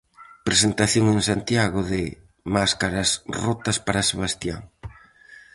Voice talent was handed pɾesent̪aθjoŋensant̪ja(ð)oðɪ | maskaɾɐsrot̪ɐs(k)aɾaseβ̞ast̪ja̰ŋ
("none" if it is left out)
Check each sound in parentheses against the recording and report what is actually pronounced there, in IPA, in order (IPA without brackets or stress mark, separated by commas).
ɣ, p